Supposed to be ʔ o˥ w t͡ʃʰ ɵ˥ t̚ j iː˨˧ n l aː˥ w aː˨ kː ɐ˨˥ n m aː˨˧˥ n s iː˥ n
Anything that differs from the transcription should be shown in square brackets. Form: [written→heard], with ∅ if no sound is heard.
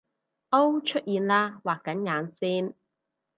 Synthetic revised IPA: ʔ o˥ w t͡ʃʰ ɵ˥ t̚ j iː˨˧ n l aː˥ w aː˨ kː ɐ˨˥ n [m→ŋ] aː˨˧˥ n s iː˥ n